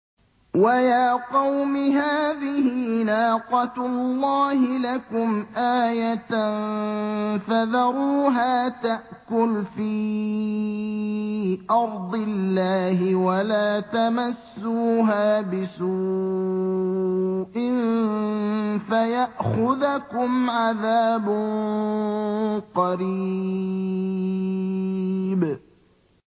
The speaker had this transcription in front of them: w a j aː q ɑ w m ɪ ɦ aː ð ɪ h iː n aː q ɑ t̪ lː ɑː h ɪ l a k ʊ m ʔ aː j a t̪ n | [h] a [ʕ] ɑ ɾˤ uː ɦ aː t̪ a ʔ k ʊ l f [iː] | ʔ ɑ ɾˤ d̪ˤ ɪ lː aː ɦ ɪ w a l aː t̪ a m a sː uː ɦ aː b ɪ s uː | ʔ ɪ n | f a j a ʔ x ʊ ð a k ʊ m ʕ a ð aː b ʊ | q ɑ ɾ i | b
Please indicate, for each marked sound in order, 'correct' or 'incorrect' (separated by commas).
incorrect, incorrect, correct